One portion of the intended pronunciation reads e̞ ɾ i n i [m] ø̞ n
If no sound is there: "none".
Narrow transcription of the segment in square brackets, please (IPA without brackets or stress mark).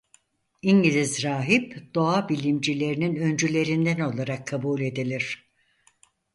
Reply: n